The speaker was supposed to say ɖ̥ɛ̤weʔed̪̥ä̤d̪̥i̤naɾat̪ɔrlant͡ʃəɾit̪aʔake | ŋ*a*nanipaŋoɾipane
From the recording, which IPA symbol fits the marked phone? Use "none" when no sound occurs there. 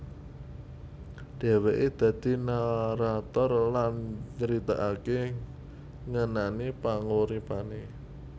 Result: ə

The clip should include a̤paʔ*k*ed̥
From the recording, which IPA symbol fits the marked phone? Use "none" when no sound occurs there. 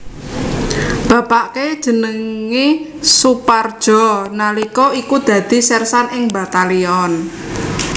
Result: k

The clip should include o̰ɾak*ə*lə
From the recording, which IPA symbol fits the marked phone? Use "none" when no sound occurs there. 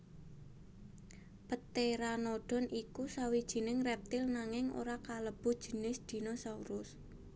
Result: a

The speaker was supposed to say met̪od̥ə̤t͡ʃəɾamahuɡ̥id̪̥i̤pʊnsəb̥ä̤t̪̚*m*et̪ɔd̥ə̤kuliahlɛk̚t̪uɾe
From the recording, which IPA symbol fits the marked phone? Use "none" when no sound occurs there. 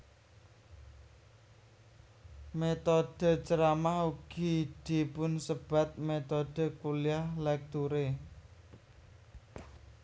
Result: m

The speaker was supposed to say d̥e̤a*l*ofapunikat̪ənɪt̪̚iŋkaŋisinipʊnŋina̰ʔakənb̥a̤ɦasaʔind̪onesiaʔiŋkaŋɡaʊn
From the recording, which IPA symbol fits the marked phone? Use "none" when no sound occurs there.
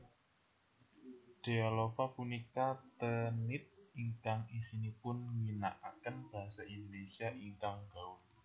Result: l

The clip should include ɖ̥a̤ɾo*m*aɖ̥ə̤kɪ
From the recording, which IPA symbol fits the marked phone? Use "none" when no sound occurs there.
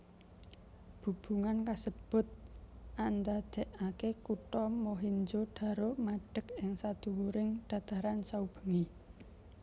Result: m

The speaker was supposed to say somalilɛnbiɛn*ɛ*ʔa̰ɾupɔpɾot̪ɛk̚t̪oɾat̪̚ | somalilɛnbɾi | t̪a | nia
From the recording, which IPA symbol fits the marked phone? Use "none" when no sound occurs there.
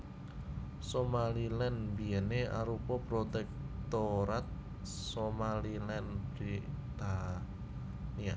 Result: e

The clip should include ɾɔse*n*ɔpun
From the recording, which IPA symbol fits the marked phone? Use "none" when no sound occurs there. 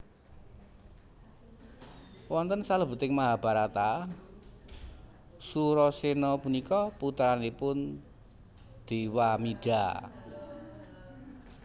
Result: n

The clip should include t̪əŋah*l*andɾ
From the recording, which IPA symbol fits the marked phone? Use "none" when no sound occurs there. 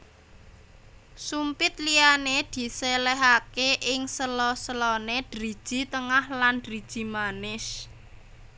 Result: l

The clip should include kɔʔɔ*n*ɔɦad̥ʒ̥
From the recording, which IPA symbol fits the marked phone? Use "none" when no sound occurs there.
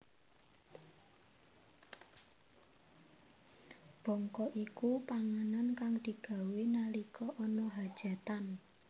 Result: n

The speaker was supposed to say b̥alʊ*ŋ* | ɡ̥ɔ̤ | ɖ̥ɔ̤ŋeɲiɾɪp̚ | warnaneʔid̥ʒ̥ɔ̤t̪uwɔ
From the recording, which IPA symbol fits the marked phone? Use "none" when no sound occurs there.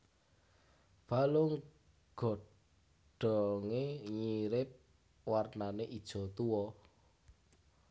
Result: ŋ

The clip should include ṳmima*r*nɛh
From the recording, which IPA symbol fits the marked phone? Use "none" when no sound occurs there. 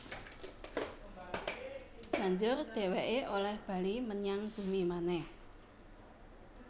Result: none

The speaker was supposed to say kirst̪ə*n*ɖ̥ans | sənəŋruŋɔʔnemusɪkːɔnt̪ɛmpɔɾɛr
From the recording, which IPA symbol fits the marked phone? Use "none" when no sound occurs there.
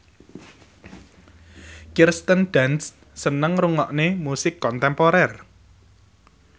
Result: n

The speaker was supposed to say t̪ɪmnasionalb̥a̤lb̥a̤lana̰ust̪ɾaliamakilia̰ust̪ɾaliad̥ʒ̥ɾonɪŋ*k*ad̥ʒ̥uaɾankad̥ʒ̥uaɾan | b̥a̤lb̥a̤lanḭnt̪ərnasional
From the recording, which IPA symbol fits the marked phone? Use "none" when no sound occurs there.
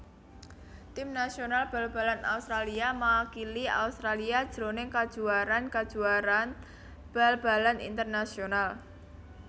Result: k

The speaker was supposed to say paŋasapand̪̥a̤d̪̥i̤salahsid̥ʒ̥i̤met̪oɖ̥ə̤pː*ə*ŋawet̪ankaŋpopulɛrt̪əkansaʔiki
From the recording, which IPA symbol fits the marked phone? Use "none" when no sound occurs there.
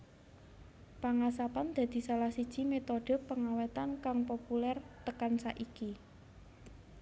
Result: ə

